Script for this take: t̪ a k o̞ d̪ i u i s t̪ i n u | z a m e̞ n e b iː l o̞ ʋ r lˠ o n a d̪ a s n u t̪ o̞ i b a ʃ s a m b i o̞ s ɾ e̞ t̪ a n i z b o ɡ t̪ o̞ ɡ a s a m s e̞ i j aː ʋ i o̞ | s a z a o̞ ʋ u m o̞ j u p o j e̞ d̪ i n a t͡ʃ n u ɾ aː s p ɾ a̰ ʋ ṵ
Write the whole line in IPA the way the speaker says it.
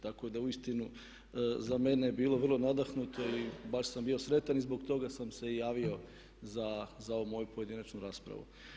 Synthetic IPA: t̪ a k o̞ d̪ a u i s t̪ i n u | z a m e̞ n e b iː l o̞ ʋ r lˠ o n a d̪ a x n u t̪ o̞ i b a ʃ s a m b i o̞ s ɾ e̞ t̪ a n i z b o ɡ t̪ o̞ ɡ a s a m s e̞ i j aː ʋ i o̞ | z a z a o̞ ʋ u m o̞ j u p o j e̞ d̪ i n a t͡ʃ n u ɾ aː s p ɾ a̰ ʋ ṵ